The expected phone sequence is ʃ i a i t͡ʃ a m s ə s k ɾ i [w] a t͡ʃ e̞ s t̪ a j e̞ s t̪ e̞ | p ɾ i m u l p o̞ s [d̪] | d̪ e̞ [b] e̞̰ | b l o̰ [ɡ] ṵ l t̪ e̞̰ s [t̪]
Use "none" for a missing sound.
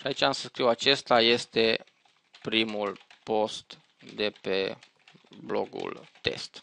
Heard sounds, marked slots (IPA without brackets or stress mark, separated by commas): w, t̪, p, ɡ, t̪